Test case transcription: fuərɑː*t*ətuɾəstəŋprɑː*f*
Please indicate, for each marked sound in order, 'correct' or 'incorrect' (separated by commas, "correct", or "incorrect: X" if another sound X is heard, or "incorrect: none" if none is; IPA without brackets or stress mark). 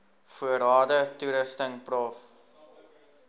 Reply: incorrect: d, correct